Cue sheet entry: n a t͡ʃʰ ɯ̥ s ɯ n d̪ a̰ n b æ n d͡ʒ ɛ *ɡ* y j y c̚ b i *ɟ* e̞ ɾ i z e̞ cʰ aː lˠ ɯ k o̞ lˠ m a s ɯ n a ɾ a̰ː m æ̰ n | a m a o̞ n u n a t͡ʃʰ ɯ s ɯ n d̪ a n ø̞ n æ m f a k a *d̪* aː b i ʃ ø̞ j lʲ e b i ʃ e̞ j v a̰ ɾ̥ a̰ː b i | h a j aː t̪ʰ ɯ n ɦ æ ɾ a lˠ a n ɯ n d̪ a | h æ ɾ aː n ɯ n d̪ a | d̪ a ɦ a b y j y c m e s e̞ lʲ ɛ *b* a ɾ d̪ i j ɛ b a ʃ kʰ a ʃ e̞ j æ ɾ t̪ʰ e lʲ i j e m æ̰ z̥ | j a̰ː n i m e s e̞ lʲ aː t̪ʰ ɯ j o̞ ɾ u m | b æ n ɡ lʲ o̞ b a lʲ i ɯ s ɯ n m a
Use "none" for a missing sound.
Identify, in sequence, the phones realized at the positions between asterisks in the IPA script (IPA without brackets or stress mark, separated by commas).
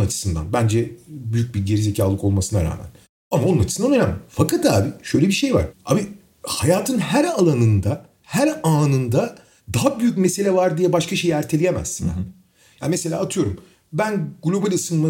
b, ɟ, t̪, v